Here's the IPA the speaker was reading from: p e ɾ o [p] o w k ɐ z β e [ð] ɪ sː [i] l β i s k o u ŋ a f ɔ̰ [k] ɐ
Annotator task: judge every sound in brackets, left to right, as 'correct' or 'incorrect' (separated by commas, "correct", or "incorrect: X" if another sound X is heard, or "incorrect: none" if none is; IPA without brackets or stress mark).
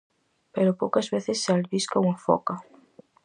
correct, incorrect: θ, incorrect: a, correct